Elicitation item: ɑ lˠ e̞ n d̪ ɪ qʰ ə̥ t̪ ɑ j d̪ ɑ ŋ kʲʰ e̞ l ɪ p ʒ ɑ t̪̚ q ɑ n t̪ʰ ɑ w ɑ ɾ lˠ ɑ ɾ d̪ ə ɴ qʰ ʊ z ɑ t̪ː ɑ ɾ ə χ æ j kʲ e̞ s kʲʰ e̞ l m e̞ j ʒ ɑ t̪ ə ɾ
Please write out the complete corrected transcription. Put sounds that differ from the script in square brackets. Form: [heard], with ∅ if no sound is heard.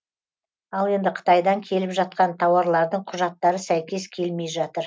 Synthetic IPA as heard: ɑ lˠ e̞ n d̪ ɪ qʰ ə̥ t̪ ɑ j d̪ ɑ ŋ kʲʰ e̞ l ɪ p ʒ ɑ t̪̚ q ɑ n t̪ʰ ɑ w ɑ ɾ lˠ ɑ ɾ d̪ ə ɴ qʰ ʊ [ʒ] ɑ t̪ː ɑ ɾ ə [s] æ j kʲ e̞ s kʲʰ e̞ l m e̞ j ʒ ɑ t̪ ə ɾ